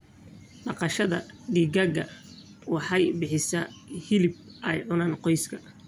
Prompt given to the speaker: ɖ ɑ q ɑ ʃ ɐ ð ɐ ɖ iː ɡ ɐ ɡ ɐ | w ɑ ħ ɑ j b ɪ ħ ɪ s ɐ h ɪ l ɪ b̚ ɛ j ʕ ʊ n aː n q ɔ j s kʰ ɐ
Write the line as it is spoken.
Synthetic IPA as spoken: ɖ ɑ q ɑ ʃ ɐ ð ɐ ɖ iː ɡ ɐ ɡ ɐ | w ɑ ħ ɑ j b ɪ ħ ɪ s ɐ h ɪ l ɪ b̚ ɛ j ʕ ʊ n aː n q ɔ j s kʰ ɐ